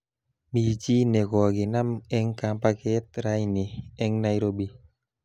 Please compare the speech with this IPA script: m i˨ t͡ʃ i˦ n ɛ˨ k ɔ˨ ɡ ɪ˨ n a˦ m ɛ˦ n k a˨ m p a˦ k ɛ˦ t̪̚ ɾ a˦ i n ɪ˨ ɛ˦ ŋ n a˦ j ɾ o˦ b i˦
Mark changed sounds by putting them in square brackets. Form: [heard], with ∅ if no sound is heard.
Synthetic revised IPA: m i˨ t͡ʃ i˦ n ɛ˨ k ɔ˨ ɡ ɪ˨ n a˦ m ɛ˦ [ŋ] k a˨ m p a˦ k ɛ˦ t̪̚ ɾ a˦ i n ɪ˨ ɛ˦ ŋ n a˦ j ɾ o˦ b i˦